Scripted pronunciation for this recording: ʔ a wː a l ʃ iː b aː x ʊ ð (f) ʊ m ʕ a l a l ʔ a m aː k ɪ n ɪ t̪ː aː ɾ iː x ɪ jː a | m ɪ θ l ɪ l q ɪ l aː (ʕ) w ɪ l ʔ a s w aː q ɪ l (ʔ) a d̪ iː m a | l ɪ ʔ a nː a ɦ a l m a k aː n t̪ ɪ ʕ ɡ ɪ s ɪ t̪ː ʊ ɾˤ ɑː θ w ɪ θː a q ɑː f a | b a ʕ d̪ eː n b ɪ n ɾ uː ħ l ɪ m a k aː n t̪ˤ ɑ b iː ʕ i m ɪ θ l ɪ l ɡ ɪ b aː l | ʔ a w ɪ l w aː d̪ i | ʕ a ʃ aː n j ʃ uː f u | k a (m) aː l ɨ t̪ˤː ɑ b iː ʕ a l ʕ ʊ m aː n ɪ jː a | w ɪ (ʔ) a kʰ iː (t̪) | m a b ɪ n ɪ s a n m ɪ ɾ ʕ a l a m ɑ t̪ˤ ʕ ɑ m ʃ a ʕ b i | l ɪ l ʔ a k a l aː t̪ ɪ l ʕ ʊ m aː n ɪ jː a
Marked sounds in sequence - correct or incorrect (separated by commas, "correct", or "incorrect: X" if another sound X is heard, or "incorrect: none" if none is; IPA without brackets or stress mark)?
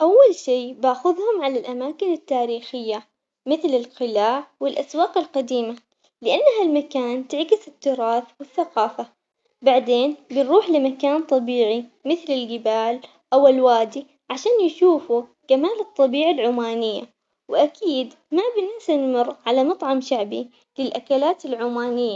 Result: incorrect: h, correct, incorrect: q, correct, correct, incorrect: d̪